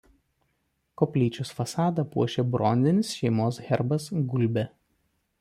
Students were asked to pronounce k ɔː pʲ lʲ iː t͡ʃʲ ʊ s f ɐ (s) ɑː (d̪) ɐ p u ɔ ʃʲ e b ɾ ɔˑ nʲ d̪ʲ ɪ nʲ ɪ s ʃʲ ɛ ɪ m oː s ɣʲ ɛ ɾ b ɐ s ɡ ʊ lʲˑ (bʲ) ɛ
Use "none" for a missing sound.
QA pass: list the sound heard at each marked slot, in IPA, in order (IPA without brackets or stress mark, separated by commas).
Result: s, d̪, bʲ